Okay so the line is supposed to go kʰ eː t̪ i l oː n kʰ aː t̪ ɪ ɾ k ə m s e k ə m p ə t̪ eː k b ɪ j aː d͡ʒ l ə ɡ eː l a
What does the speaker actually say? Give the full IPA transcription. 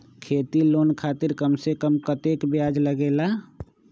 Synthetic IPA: kʰ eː t̪ i l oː n kʰ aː t̪ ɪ ɾ k ə m s e k ə m k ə t̪ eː k b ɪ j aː d͡ʒ l ə ɡ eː l a